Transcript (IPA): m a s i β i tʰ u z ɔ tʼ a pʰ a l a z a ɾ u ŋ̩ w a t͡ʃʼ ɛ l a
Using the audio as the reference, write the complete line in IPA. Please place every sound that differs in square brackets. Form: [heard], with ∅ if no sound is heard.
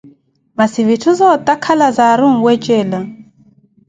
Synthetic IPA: m a s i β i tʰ u z ɔ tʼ a [kʰ] a l a z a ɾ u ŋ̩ w [ɛ] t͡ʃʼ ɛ l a